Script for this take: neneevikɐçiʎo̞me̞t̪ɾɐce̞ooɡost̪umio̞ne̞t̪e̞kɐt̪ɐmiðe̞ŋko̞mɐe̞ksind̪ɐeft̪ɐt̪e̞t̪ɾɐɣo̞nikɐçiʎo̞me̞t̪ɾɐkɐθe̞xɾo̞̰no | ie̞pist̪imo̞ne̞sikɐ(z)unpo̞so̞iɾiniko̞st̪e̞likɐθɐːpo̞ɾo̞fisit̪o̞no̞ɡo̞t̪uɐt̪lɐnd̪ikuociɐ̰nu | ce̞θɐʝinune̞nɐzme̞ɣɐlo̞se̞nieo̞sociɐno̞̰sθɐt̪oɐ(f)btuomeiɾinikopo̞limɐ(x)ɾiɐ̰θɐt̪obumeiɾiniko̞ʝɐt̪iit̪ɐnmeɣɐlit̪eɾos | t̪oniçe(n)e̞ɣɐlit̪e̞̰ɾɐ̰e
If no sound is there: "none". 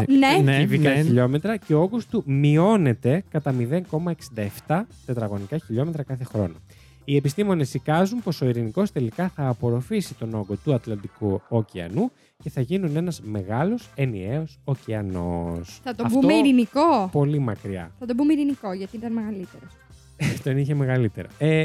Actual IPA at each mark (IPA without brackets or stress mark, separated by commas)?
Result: z, f, k, m